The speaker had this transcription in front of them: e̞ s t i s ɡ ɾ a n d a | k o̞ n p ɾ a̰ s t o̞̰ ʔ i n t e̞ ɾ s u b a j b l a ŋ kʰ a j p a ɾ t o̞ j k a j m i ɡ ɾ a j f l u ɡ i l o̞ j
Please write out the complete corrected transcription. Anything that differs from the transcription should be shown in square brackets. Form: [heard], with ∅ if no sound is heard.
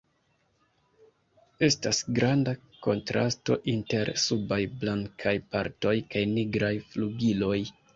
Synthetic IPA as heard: e̞ s t [a] s ɡ ɾ a n d a | k o̞ n [t] ɾ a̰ s t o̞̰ ʔ i n t e̞ ɾ s u b a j b l a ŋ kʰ a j p a ɾ t o̞ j k a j [n] i ɡ ɾ a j f l u ɡ i l o̞ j

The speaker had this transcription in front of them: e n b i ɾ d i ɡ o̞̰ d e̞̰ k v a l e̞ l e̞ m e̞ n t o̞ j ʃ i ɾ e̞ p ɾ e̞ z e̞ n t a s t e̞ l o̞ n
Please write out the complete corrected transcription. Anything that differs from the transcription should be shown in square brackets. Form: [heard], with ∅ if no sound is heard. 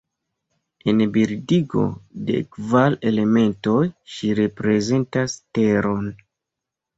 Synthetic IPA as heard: e n b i ɾ d i ɡ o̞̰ d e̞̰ k v a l e̞ l e̞ m e̞ n t o̞ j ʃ i ɾ e̞ p ɾ e̞ z e̞ n t a s t e̞ [ɾ] o̞ n

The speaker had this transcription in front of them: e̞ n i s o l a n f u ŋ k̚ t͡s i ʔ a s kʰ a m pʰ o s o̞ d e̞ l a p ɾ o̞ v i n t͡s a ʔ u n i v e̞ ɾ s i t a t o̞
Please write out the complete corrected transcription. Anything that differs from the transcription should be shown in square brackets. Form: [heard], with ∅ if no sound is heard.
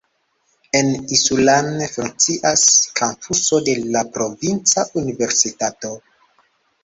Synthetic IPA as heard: e̞ n i s [u] l a n f u ŋ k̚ t͡s i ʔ a s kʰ a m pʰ [u] s o̞ d e̞ l a p ɾ o̞ v i n t͡s a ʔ u n i v e̞ ɾ s i t a t o̞

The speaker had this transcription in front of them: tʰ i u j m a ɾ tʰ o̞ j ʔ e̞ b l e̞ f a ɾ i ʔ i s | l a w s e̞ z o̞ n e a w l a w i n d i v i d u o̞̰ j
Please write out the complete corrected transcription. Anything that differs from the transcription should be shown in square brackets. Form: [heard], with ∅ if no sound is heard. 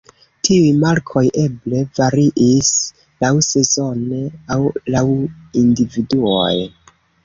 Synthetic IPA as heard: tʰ i u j m a ɾ [kʰ] o̞ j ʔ e̞ b l e̞ [v] a ɾ i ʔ i s | l a w s e̞ z o̞ n e a w l a w i n d i v i d u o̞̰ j

